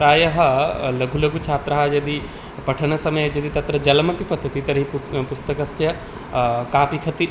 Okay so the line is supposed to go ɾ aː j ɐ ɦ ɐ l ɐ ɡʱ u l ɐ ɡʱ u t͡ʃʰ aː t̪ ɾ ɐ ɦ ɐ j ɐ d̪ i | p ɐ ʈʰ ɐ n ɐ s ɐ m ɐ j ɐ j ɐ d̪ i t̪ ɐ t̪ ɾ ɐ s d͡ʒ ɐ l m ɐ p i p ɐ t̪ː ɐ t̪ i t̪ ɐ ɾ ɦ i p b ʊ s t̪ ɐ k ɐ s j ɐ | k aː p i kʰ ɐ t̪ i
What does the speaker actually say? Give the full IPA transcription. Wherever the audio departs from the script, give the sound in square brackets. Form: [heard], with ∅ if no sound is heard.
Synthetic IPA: ɾ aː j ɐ ɦ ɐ l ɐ ɡʱ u l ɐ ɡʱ u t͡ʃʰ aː t̪ ɾ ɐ ɦ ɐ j ɐ d̪ i | p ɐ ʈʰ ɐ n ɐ s ɐ m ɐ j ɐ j ɐ d̪ i t̪ ɐ t̪ ɾ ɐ [∅] d͡ʒ ɐ l m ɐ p i p ɐ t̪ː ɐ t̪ i t̪ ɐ ɾ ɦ i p [p] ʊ s t̪ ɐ k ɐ s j ɐ | k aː p i kʰ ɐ t̪ i